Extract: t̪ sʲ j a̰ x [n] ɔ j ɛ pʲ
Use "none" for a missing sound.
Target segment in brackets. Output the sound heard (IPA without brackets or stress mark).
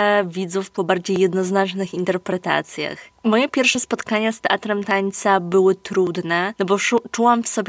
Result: m